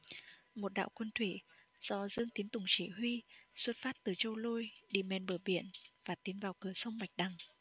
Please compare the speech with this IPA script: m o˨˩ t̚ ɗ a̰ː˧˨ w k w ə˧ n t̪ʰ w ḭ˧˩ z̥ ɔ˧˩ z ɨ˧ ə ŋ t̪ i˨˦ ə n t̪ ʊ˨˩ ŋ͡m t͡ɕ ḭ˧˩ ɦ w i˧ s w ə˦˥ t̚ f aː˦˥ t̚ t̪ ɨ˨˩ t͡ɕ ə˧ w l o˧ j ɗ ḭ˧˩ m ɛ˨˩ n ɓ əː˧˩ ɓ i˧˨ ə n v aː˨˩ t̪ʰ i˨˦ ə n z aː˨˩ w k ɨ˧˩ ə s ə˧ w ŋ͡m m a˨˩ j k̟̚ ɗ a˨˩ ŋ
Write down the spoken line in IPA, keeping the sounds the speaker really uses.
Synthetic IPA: m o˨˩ t̚ ɗ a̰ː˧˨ w k w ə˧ n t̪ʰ w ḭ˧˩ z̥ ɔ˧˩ z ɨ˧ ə ŋ t̪ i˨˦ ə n t̪ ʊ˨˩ ŋ͡m t͡ɕ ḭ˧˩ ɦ w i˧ s w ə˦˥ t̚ f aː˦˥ t̚ t̪ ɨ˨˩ t͡ɕ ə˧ w l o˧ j ɗ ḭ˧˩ m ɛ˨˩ n ɓ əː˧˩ ɓ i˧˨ ə n v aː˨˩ t̪ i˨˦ ə n v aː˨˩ w k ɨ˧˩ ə s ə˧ w ŋ͡m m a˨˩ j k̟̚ ɗ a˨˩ ŋ

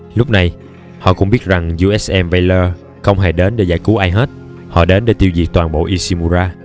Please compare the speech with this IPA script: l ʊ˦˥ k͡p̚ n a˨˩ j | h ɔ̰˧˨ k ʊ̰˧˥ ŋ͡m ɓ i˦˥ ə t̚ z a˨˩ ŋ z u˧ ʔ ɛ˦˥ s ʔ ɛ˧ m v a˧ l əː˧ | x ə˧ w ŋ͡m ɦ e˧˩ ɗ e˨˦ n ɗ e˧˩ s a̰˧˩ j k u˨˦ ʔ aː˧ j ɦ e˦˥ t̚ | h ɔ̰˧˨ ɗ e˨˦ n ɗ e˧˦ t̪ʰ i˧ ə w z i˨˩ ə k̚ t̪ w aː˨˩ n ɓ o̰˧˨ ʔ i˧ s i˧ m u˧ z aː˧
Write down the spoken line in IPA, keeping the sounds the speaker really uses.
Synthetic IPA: l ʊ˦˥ k͡p̚ n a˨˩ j | h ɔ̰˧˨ k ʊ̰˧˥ ŋ͡m ɓ i˦˥ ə t̚ z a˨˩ ŋ z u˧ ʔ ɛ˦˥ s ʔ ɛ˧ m v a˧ l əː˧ | x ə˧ w ŋ͡m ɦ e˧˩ ɗ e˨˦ n ɗ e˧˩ z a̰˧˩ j k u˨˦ ʔ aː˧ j ɦ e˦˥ t̚ | h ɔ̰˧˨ ɗ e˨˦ n ɗ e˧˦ t̪ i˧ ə w z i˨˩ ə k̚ t̪ w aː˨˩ n ɓ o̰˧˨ ʔ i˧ s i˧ m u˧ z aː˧

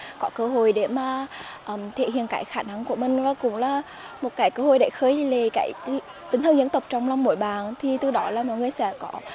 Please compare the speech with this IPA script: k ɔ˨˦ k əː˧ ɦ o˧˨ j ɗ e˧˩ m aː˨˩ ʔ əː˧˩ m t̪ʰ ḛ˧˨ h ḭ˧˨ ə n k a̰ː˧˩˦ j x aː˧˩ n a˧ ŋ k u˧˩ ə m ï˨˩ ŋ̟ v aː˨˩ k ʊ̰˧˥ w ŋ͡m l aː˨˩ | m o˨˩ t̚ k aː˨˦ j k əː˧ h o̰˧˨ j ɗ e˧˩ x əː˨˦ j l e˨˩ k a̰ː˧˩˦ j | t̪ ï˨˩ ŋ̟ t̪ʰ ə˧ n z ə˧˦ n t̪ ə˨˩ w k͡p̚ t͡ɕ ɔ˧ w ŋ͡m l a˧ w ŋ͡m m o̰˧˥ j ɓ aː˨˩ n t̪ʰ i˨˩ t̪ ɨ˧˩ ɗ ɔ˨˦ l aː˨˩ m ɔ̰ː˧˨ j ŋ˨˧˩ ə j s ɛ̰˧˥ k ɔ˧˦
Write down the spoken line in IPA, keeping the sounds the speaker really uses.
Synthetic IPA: k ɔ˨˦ k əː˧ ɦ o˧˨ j ɗ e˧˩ m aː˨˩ ʔ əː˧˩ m t̪ʰ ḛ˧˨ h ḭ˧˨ ə n k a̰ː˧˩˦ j x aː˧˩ n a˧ ŋ k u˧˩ ə m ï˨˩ ŋ̟ v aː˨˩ k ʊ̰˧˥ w ŋ͡m l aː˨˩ | m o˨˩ t̚ k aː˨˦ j k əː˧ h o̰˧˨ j ɗ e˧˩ x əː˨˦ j l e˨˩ k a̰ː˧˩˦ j | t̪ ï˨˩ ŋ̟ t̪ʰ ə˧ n z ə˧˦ n t̪ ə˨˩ w k͡p̚ t͡ɕ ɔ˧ w ŋ͡m l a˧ w ŋ͡m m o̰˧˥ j ɓ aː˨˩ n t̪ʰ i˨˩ t̪ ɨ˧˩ ɗ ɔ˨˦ l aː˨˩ m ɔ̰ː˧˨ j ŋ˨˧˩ ə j s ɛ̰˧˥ k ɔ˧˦

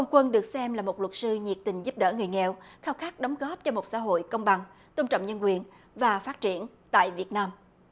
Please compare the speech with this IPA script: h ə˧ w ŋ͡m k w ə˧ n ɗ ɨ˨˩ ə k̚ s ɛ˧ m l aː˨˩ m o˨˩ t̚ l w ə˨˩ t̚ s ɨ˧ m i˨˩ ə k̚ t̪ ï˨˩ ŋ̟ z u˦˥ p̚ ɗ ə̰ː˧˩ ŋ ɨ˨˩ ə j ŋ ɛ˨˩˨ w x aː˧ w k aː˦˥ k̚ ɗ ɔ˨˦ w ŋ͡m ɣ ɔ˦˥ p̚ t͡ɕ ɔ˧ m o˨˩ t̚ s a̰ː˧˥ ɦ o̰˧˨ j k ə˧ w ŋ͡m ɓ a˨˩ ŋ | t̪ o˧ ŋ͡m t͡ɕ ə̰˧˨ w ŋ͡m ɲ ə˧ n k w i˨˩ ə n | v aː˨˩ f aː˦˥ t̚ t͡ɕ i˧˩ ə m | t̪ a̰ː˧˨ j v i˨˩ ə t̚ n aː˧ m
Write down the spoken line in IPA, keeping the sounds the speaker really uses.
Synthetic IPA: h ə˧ w ŋ͡m k w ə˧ n ɗ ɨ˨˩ ə k̚ s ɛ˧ m l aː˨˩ m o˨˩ t̚ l w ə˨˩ t̚ s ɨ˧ ɲ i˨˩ ə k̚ t̪ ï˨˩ ŋ̟ z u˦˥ p̚ ɗ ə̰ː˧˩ ŋ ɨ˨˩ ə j ŋ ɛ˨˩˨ w x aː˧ w x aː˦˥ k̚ ɗ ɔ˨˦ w ŋ͡m ɣ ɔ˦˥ p̚ t͡ɕ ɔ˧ m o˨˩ t̚ s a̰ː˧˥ ɦ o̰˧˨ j k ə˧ w ŋ͡m ɓ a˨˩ ŋ | t̪ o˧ ŋ͡m t͡ɕ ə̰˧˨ w ŋ͡m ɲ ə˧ n k w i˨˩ ə n | v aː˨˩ f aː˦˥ t̚ t͡ɕ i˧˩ ə n | t̪ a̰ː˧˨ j v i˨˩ ə t̚ n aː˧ m

